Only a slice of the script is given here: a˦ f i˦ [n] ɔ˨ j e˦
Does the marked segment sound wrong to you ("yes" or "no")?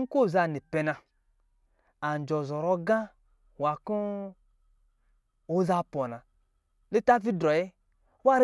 yes